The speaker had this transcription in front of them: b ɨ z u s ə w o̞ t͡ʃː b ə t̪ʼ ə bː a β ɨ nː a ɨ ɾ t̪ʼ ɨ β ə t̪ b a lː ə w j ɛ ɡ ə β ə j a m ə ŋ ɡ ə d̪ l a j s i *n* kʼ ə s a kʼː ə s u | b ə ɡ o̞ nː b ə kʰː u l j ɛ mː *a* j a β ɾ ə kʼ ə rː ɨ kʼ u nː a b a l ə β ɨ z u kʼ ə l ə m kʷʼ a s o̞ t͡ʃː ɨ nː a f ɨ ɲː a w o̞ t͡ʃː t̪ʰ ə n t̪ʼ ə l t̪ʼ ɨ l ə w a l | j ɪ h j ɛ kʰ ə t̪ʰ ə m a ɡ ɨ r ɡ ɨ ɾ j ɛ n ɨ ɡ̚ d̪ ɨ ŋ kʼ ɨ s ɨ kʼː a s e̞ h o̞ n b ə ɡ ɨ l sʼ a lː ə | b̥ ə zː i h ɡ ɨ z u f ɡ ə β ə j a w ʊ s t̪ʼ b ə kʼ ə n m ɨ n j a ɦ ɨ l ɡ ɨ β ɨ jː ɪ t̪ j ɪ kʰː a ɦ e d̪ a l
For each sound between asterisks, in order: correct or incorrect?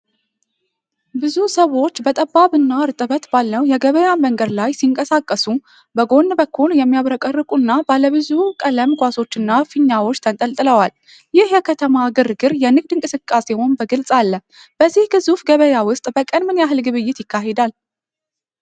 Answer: incorrect: ŋ, incorrect: i

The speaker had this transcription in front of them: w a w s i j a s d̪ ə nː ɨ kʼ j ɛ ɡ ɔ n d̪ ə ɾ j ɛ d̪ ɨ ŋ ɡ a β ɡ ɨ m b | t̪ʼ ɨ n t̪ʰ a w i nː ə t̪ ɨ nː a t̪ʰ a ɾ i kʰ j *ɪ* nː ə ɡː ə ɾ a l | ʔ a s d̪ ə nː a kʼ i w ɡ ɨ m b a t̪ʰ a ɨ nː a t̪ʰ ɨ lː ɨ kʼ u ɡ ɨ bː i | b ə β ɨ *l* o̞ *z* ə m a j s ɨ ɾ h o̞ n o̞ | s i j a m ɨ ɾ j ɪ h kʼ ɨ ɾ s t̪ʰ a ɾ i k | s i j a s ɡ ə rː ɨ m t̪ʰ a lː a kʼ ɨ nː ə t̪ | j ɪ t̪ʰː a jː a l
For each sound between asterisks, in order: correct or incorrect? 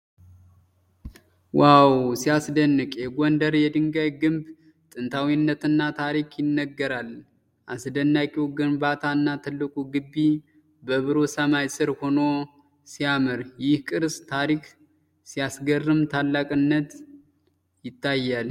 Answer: correct, incorrect: ɾ, incorrect: s

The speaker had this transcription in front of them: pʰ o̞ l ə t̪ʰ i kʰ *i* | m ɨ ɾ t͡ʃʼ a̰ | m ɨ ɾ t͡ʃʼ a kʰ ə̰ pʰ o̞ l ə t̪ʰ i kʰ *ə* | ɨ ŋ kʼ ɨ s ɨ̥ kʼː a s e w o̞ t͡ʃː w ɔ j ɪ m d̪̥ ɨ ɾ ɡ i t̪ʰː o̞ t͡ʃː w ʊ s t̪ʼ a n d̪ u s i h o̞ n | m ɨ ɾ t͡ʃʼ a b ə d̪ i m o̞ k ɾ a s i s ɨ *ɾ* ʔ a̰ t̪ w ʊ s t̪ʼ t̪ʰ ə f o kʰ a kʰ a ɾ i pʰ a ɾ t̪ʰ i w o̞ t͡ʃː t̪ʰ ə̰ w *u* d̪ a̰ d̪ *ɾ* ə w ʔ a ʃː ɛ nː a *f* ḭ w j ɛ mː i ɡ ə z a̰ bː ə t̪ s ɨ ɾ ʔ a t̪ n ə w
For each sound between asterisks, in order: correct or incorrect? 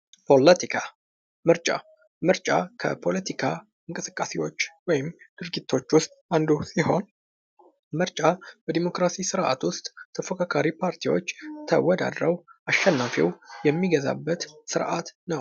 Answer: incorrect: a, incorrect: a, correct, incorrect: ɔ, correct, correct

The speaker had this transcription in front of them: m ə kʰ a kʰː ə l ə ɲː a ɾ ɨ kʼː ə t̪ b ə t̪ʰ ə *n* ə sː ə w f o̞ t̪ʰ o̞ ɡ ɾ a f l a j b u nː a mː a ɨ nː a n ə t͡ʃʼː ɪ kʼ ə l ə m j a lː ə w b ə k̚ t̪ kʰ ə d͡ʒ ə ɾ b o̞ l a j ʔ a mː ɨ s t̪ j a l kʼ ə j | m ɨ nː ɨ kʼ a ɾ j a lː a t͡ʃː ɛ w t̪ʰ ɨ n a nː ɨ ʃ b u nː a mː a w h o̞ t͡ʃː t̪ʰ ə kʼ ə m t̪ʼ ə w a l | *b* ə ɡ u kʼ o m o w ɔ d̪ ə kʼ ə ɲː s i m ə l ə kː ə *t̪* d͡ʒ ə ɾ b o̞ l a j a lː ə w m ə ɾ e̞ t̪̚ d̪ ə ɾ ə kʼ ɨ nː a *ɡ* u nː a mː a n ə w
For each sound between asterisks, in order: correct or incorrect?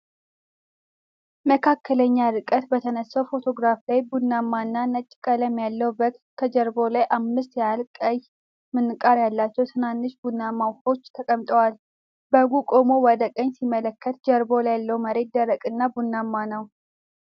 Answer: correct, correct, correct, incorrect: b

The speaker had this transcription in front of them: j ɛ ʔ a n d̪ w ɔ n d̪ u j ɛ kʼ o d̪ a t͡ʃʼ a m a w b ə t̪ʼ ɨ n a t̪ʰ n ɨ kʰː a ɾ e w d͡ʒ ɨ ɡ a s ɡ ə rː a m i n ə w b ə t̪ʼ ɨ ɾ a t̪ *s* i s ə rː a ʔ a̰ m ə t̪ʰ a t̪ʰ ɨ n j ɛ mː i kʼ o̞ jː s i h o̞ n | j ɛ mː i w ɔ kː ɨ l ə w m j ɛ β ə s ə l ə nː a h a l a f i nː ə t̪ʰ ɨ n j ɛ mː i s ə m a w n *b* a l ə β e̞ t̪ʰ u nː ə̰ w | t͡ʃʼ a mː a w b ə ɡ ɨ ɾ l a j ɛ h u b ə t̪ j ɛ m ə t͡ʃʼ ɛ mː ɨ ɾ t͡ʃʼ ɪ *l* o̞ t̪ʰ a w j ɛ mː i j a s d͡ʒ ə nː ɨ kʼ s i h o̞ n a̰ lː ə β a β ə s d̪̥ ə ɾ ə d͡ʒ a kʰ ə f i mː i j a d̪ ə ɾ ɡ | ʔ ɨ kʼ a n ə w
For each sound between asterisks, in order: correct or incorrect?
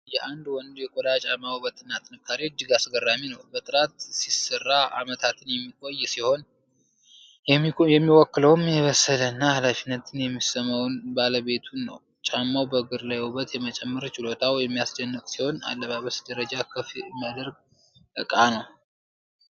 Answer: correct, correct, correct

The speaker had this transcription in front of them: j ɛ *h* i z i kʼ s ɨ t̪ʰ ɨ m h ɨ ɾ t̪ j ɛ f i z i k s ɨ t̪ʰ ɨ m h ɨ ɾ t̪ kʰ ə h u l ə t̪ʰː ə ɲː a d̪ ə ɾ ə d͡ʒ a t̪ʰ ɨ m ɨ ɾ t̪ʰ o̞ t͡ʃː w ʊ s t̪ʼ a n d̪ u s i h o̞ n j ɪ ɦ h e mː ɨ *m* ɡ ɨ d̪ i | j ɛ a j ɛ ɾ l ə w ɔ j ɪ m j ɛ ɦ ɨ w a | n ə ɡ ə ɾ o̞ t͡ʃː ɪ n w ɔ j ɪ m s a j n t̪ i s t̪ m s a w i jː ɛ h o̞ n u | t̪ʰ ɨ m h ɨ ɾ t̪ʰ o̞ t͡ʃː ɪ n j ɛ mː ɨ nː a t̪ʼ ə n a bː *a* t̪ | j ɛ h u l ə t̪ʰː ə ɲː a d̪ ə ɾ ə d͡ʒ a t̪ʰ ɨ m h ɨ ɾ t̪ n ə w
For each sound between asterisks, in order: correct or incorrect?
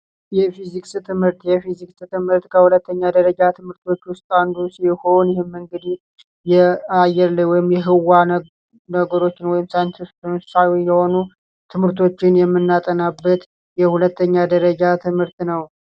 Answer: incorrect: f, incorrect: ŋ, incorrect: ə

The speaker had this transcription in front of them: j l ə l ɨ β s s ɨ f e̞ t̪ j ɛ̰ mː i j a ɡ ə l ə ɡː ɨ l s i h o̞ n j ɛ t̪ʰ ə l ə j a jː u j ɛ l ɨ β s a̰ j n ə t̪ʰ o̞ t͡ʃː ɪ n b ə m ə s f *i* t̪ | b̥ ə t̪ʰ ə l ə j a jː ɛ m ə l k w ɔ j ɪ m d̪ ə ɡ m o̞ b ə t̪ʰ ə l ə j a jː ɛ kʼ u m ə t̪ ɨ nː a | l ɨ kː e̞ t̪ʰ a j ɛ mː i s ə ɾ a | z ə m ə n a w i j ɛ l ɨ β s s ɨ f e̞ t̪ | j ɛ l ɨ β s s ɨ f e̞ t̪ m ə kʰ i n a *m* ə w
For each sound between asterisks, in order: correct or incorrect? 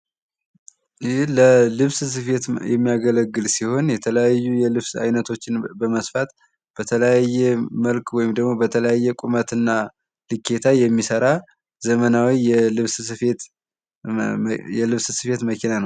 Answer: incorrect: a, incorrect: n

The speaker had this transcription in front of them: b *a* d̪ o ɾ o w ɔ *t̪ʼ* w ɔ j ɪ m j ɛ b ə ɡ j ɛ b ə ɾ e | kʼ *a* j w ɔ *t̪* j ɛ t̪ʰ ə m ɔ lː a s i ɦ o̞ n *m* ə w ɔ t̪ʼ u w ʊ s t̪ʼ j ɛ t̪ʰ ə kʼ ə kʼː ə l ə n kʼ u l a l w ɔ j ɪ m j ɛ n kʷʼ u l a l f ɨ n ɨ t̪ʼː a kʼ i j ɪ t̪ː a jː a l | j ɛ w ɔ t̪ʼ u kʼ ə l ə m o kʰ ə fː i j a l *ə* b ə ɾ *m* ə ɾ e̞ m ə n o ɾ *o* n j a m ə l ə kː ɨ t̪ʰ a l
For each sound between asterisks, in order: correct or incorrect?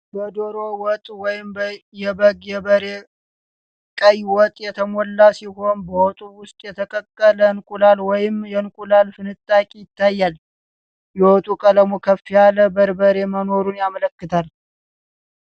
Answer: incorrect: ə, correct, incorrect: ə, incorrect: t̪ʼ, incorrect: b, correct, incorrect: b, incorrect: u

